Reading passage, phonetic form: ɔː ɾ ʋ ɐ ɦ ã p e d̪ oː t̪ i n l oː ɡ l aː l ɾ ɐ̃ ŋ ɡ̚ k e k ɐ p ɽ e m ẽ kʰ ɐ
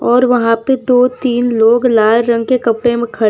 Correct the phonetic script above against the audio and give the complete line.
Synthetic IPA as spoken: ɔː ɾ ʋ ɐ ɦ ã p e d̪ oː t̪ iː n l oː ɡ l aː l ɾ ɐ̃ ŋ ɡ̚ k e k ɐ p ɽ e m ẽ kʰ ɐ